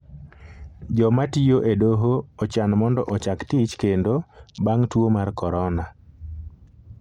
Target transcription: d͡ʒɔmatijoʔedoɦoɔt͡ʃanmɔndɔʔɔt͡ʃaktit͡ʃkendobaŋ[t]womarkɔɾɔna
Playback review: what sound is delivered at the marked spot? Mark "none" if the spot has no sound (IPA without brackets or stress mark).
t